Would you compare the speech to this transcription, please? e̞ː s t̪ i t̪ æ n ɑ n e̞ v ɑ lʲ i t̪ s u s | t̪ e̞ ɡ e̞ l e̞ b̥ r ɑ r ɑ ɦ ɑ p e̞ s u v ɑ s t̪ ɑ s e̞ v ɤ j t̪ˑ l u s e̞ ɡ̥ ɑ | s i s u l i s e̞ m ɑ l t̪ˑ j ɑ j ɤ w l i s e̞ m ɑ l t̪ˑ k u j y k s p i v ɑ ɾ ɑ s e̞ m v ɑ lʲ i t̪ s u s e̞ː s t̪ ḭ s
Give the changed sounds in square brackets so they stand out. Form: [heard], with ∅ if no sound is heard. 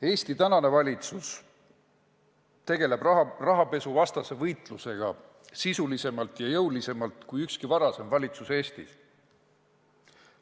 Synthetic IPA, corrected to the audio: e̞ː s t̪ i t̪ æ n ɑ n e̞ v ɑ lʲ i t̪ s u s | t̪ e̞ ɡ e̞ l e̞ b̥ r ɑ r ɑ ɦ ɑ p e̞ s u v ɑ s t̪ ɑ s e̞ v ɤ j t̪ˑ l u s e̞ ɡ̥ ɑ | s i s u l i s e̞ m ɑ l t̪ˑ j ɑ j ɤ w l i s e̞ m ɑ l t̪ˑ k u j y k s [k] i v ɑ ɾ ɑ s e̞ m v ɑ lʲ i t̪ s u s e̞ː s t̪ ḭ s